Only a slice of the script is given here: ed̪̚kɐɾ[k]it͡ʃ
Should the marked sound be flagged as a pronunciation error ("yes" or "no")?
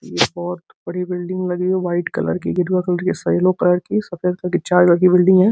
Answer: no